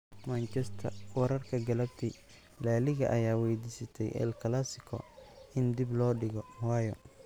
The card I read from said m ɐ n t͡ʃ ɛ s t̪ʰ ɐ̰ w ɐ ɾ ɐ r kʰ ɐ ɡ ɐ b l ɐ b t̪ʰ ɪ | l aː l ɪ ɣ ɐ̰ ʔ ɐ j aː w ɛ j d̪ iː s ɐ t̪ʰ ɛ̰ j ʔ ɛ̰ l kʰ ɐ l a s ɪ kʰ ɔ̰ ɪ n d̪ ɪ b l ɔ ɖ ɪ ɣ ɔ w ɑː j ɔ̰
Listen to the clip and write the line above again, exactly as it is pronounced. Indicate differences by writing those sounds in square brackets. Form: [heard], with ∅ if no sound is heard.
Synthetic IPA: m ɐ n t͡ʃ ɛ s t̪ʰ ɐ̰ w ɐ ɾ ɐ r kʰ ɐ ɡ ɐ [∅] l ɐ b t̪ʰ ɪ | l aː l ɪ ɣ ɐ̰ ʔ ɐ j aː w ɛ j d̪ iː s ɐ t̪ʰ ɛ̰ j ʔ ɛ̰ l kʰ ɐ l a s ɪ kʰ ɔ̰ ɪ n d̪ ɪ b l [ɔː] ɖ ɪ ɣ ɔ w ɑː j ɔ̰